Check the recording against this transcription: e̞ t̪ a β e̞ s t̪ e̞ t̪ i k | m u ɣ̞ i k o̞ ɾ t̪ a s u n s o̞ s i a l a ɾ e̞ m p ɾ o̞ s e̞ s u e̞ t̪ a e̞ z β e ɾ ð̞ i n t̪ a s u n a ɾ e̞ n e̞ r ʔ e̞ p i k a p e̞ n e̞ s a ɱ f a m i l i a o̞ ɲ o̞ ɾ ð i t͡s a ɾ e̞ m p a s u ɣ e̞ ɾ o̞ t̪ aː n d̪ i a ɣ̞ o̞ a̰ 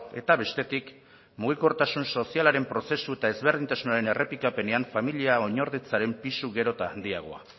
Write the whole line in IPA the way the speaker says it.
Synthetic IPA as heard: e̞ t̪ a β e̞ s t̪ e̞ t̪ i k | m u ɣ̞ i k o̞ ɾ t̪ a s u n s o̞ s i a l a ɾ e̞ m p ɾ o̞ s e̞ s u e̞ t̪ a e̞ z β e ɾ ð̞ i n t̪ a s u n a ɾ e̞ n e̞ r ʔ e̞ p i k a p e̞ n e̞ a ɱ f a m i l i a o̞ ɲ o̞ ɾ ð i t͡s a ɾ e̞ m p i s u ɣ e̞ ɾ o̞ t̪ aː n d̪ i a ɣ̞ o̞ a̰